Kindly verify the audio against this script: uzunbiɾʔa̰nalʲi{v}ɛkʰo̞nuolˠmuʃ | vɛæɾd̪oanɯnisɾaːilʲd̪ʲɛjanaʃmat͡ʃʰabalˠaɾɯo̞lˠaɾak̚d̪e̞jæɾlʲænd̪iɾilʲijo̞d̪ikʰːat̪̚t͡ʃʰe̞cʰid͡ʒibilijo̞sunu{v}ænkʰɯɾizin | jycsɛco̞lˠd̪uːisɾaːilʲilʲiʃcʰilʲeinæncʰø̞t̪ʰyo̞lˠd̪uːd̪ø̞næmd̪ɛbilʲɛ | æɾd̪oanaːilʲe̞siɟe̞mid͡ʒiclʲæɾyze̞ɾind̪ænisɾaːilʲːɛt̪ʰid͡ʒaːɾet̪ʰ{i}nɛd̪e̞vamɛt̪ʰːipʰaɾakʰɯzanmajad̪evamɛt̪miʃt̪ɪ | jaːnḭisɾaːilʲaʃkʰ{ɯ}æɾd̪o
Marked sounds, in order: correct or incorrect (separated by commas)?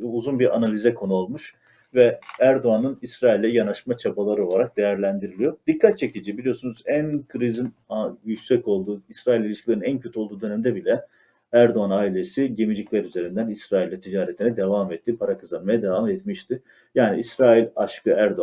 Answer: incorrect, incorrect, correct, correct